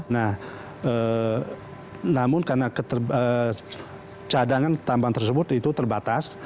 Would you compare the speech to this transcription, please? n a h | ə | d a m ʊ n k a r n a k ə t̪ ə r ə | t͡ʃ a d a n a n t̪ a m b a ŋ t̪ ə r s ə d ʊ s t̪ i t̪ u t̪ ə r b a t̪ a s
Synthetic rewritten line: n a h | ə | n a m ʊ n k a r n a k ə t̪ ə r ə | t͡ʃ a d a ŋ a n t̪ a m b a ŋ t̪ ə r s ə b ʊ t̪ i t̪ u t̪ ə r b a t̪ a s